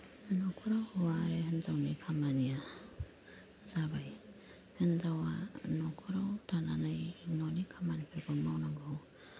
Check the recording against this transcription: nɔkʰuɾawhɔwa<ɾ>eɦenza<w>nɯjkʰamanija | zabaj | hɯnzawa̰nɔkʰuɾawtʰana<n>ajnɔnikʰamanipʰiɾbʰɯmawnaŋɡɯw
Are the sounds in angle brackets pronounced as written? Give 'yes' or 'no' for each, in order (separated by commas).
yes, yes, yes